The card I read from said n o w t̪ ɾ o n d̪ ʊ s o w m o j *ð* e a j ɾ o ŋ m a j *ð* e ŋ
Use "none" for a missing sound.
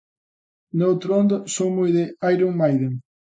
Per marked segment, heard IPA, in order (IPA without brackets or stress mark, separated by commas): ð, ð